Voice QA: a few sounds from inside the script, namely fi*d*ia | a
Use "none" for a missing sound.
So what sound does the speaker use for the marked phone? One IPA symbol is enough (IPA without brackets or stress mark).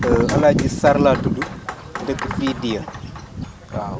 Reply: d